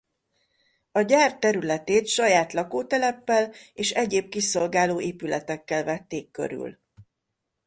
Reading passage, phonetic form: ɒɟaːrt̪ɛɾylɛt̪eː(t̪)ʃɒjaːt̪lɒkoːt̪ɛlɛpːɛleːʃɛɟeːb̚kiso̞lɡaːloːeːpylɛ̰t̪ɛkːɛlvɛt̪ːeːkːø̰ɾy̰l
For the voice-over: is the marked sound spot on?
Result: yes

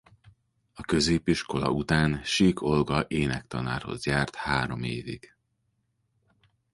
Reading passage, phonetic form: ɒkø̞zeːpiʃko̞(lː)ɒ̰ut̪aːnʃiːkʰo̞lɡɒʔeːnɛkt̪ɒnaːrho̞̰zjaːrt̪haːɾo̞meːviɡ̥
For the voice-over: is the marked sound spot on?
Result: no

